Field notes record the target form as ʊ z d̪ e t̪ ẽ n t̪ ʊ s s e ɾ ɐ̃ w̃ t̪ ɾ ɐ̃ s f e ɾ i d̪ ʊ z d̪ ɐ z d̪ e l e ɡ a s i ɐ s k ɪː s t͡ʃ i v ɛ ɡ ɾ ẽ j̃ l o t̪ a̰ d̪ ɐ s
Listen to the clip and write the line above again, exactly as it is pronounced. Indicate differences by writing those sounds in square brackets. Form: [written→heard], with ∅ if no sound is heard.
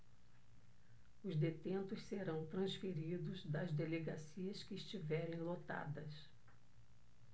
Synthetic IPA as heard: ʊ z d̪ e t̪ ẽ n t̪ ʊ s s e ɾ ɐ̃ w̃ t̪ ɾ ɐ̃ s f e ɾ i d̪ ʊ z d̪ ɐ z d̪ e l e ɡ a s i ɐ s k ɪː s t͡ʃ i v ɛ [ɡ→∅] ɾ ẽ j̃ l o t̪ a̰ d̪ ɐ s